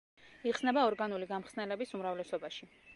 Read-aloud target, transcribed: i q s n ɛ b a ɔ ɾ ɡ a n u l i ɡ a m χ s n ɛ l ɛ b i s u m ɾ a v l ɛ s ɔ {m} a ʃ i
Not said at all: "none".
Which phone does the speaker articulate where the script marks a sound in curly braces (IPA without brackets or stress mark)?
b